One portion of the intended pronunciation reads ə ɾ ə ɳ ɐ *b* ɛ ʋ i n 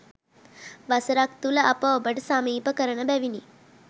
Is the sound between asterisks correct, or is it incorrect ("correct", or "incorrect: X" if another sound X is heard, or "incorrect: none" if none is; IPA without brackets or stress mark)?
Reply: correct